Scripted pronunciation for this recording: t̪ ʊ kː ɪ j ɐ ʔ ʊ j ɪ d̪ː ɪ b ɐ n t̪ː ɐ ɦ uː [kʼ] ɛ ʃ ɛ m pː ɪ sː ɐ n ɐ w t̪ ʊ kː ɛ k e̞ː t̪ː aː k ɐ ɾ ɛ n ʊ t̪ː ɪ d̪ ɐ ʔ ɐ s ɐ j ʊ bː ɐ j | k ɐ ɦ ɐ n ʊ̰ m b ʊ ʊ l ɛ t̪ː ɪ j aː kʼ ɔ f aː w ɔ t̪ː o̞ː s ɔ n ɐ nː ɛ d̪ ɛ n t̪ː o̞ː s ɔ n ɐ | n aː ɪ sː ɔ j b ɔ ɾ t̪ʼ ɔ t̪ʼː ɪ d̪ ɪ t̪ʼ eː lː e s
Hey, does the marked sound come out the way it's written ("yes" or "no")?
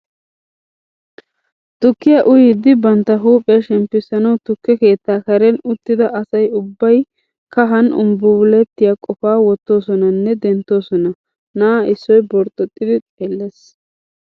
no